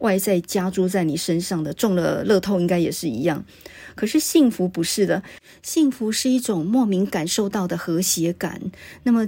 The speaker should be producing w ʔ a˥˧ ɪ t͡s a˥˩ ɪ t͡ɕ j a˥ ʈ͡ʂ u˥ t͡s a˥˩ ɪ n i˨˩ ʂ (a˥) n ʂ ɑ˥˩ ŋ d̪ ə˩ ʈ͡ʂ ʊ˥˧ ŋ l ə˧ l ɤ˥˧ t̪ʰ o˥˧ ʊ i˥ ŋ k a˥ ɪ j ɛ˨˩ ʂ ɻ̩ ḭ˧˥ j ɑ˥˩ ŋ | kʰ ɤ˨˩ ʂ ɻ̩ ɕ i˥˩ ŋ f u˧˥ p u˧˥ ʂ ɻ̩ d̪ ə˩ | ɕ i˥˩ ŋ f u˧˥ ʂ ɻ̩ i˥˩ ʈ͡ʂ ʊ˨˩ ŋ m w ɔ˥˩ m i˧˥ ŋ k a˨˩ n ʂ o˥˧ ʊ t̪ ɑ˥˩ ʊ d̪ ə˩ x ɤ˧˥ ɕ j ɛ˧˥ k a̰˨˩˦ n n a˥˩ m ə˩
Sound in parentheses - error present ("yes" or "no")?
yes